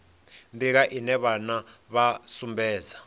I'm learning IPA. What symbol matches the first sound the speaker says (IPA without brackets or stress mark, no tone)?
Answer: n